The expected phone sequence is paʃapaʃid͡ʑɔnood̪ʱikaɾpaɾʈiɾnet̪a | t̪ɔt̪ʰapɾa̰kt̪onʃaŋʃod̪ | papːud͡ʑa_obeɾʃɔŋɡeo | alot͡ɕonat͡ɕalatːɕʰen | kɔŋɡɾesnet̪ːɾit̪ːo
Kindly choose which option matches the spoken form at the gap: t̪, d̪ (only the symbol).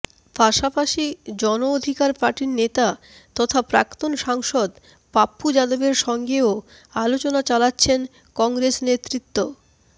d̪